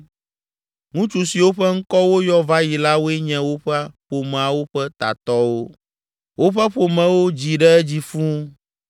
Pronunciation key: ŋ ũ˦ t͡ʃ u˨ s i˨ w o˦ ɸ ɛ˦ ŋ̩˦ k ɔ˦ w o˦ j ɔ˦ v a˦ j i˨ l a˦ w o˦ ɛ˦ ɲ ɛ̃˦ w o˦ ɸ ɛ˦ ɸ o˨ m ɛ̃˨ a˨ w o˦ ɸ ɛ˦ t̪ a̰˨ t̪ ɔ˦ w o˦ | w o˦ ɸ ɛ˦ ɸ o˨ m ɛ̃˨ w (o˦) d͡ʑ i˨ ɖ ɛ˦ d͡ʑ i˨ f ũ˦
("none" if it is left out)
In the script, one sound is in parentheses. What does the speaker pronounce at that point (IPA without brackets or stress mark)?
o˦